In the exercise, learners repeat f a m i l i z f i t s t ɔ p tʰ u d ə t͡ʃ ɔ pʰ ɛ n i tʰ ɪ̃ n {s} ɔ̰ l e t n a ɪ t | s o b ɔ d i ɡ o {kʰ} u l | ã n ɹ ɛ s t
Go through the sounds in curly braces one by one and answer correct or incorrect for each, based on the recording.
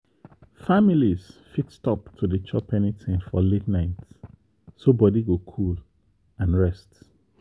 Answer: incorrect, correct

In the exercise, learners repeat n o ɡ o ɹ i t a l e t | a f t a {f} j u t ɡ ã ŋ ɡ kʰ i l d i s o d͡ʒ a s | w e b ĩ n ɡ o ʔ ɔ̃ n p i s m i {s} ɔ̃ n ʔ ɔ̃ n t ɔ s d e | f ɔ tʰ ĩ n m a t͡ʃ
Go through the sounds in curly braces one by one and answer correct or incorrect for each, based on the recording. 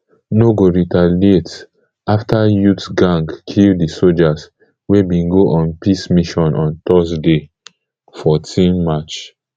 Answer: incorrect, incorrect

